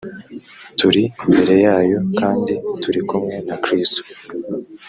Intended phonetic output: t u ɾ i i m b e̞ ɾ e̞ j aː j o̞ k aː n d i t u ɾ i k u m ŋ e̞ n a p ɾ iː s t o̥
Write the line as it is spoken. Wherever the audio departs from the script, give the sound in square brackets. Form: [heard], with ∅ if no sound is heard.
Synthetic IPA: t u ɾ i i m b e̞ ɾ e̞ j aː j o̞ k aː n d i t u ɾ i k u m ŋ e̞ n a [k] ɾ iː s t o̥